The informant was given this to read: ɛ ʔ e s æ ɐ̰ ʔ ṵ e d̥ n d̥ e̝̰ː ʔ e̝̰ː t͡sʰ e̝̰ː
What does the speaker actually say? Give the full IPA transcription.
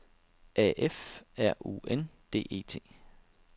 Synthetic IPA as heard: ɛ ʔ e f æ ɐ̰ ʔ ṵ e n d̥ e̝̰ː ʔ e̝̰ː t͡sʰ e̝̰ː